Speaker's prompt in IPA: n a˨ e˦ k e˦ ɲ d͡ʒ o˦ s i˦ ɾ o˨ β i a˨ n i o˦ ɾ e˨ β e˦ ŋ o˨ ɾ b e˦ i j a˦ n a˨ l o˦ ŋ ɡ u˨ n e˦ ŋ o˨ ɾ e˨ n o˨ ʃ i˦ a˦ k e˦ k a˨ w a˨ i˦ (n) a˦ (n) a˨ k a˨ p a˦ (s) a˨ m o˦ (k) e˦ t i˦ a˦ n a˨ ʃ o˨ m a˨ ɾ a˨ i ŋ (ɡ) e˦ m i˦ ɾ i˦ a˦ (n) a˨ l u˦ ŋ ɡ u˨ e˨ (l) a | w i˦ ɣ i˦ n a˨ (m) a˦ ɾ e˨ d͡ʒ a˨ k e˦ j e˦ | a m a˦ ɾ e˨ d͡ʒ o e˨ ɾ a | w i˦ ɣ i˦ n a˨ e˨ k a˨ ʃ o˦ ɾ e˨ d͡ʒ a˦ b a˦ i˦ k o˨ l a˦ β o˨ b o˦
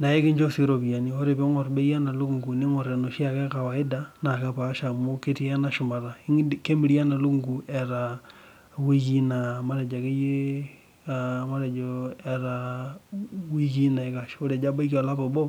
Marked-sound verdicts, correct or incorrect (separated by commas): incorrect, correct, incorrect, correct, incorrect, correct, incorrect, correct